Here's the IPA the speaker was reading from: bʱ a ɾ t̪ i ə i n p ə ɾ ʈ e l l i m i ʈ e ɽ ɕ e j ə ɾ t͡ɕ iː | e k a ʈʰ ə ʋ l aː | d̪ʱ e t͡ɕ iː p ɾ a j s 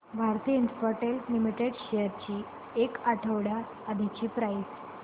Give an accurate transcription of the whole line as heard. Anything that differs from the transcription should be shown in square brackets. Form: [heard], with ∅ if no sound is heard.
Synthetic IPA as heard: bʱ a ɾ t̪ i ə i n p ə ɾ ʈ e l l i m i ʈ e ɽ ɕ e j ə ɾ t͡ɕ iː | e k a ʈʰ ə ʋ [ɽ] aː | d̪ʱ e t͡ɕ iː p ɾ a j s